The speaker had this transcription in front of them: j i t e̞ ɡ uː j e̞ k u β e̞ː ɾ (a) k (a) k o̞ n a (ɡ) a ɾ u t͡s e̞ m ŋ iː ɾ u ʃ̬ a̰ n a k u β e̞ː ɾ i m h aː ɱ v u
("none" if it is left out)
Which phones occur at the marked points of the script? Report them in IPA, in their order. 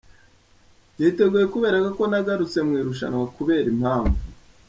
a, a, ɡ

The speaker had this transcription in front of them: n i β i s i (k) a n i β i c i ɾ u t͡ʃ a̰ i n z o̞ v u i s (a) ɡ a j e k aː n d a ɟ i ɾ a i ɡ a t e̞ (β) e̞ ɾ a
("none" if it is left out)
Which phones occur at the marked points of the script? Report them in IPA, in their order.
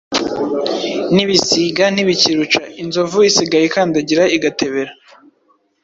ɡ, i, β

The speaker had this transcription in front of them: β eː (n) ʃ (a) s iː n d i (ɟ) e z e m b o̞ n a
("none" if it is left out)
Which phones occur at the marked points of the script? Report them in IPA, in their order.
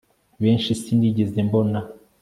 n, i, ɟ

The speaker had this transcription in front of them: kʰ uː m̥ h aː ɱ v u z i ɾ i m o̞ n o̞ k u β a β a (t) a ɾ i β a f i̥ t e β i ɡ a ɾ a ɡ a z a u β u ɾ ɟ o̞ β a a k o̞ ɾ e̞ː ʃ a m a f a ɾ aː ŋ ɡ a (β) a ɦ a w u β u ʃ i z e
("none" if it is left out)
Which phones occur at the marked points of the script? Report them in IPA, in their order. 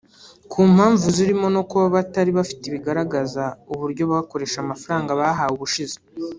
t, β

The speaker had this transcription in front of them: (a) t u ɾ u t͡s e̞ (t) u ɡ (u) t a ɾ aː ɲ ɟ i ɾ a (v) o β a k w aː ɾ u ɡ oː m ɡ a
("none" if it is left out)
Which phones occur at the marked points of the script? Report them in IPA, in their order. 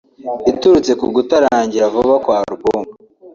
i, k, u, v

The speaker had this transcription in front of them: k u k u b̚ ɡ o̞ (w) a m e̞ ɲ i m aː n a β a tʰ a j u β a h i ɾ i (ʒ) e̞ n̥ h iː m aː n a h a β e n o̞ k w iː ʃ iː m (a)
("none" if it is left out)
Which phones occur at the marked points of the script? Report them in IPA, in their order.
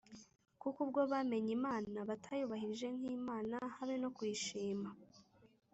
β, ʒ, a

